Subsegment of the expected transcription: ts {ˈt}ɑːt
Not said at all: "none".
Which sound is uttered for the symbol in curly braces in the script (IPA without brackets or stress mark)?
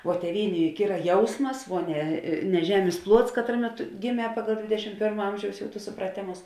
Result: k